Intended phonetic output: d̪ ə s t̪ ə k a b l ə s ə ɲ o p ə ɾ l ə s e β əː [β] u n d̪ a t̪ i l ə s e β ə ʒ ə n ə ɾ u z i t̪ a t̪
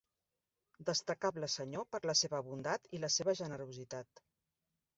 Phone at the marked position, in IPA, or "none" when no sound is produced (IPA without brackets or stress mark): β